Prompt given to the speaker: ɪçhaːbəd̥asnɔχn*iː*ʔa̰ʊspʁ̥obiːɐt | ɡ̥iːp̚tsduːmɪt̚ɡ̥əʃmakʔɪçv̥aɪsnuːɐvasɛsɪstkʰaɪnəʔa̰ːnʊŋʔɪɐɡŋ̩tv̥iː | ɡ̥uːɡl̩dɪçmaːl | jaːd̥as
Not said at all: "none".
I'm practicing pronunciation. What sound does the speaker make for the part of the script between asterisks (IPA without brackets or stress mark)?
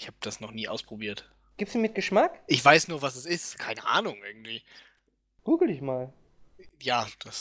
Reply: iː